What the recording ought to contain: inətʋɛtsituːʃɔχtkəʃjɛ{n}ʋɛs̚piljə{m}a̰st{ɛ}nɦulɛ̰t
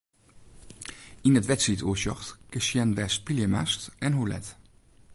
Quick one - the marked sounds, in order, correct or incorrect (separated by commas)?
correct, correct, correct